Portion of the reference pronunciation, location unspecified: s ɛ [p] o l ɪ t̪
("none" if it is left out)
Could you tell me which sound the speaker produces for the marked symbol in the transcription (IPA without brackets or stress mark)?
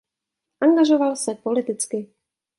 p